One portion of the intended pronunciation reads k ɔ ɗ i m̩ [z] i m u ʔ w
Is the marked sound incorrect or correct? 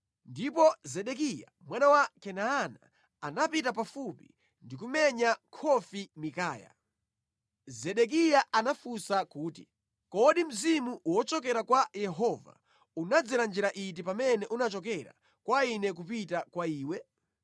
correct